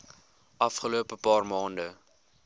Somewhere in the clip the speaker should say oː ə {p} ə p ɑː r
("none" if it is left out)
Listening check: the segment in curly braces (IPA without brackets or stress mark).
p